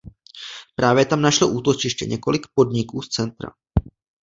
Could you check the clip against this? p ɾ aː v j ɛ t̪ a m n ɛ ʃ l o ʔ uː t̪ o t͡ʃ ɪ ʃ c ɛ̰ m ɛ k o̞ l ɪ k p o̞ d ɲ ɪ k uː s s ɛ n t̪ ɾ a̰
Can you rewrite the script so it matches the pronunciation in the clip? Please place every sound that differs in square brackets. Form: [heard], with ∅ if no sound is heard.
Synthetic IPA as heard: p ɾ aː v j ɛ t̪ a m n [a] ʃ l o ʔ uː t̪ o t͡ʃ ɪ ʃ c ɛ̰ [ɲ] ɛ k o̞ l ɪ k p o̞ d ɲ ɪ k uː s [t͡s] ɛ n t̪ ɾ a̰